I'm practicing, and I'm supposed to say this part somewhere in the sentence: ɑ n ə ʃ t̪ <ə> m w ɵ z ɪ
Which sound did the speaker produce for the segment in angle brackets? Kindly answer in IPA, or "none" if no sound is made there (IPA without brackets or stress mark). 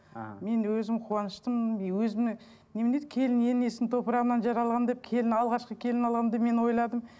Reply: ə